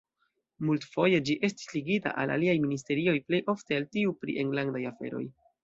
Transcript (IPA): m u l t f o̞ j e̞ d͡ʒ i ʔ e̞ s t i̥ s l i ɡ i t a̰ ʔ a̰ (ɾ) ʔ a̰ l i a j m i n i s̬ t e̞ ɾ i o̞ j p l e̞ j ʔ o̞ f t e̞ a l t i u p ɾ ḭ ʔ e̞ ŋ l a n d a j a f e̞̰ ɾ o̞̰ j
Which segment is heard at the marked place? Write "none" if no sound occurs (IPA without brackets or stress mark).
l